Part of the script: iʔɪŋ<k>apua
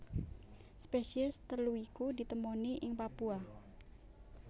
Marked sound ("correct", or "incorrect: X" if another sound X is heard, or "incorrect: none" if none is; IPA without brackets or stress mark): incorrect: p